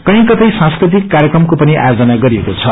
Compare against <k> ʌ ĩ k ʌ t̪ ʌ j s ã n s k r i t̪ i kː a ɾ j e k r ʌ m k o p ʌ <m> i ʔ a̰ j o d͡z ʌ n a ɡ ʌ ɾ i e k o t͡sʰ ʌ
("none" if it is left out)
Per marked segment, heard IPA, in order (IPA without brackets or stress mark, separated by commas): k, n